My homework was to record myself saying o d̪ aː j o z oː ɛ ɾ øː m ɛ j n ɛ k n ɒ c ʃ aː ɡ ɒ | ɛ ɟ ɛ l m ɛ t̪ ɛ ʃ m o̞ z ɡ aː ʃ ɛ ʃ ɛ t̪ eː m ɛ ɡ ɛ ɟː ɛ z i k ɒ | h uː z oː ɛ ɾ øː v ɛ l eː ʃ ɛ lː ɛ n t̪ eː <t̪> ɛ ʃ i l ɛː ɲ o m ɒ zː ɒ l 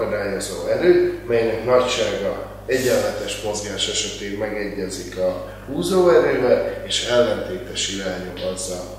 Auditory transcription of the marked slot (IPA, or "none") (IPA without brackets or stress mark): t̪